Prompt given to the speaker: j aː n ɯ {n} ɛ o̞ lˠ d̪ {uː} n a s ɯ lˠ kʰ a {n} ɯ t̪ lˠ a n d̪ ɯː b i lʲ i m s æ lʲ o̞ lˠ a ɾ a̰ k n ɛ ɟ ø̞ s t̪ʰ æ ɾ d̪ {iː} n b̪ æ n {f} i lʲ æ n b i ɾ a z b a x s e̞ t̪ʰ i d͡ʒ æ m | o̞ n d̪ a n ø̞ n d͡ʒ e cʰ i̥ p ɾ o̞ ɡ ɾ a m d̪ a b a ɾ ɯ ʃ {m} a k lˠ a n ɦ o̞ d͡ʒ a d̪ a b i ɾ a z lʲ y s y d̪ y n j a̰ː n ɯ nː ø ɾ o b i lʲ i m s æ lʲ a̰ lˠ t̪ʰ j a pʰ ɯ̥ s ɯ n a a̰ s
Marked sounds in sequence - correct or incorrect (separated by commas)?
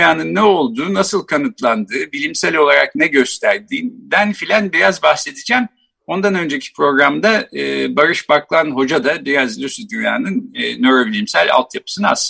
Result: incorrect, correct, correct, correct, correct, incorrect